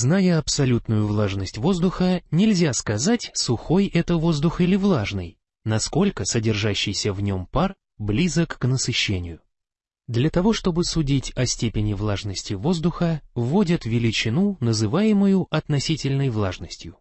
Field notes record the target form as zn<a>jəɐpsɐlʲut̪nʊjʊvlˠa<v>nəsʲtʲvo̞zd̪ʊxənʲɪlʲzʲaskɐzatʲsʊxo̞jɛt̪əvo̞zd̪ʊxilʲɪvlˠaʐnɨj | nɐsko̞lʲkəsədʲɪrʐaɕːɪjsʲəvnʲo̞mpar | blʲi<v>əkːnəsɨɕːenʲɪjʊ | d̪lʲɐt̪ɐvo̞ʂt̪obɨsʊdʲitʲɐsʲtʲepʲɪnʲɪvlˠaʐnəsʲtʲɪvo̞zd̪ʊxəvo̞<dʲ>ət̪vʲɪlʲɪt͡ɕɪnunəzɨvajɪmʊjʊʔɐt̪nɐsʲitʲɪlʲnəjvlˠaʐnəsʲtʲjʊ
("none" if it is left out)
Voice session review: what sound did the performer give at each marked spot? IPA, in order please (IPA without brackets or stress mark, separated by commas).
a, ʐ, z, dʲ